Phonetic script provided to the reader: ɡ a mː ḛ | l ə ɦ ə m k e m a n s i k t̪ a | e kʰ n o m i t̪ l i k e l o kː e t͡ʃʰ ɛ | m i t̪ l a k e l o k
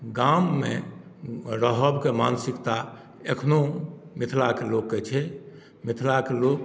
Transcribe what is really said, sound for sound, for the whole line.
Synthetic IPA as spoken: ɡ a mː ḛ | ɾ ə ɦ ə b k e m a n s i k t̪ a | e kʰ n o m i t̪ʰ l a k e l o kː e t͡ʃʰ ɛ | m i t̪ʰ l a k e l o k